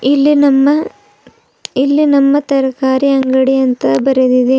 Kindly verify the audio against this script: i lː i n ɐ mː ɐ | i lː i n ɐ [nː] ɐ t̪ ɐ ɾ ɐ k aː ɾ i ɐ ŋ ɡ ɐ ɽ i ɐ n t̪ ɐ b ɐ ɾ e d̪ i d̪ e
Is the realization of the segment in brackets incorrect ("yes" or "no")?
yes